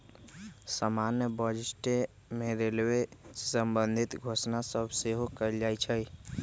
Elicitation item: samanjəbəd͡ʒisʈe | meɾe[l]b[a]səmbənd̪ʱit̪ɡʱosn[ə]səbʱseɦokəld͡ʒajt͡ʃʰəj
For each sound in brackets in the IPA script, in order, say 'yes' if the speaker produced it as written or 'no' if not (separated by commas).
yes, no, no